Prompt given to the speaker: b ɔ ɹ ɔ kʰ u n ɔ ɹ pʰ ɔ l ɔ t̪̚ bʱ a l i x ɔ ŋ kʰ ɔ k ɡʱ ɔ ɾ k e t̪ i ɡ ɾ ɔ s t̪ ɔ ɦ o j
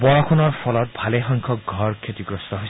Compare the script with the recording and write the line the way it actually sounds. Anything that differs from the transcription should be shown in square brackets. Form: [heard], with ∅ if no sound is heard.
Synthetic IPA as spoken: b ɔ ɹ ɔ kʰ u n ɔ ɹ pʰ ɔ l ɔ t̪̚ bʱ a l [e] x ɔ ŋ kʰ ɔ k ɡʱ ɔ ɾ [kʰ] e t̪ i ɡ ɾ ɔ s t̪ ɔ ɦ o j

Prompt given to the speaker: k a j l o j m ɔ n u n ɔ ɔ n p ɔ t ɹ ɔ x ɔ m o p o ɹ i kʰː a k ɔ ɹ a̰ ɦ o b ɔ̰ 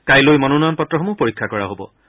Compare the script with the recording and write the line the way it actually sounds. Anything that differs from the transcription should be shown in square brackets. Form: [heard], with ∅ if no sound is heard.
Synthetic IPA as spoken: k a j l o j m ɔ n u n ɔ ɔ n p ɔ t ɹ ɔ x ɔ m [u] p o ɹ i kʰː a k ɔ ɹ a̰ ɦ o b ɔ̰

